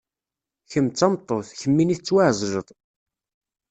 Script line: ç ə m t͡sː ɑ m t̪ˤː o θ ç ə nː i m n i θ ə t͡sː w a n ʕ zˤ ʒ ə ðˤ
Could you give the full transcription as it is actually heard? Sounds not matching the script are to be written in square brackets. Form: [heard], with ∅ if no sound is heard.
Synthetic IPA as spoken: ç ə m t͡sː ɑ m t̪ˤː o θ ç ə [mː] i [∅] n i θ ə t͡sː w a [∅] ʕ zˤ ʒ ə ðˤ